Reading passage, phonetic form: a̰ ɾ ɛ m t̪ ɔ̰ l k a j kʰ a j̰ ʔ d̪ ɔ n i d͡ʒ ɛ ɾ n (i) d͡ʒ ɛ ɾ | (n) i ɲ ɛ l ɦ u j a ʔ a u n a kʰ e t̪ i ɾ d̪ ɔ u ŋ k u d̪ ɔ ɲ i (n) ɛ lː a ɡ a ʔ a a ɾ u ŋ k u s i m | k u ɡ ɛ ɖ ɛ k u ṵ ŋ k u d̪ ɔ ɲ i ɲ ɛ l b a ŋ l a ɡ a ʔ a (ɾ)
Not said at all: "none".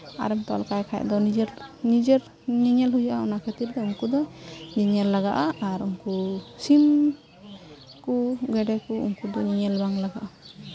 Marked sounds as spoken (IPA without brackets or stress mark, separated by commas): i, ɲ, ɲ, none